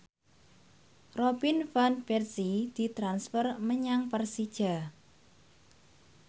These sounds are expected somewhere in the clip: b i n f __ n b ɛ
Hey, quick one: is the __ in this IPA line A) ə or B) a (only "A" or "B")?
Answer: B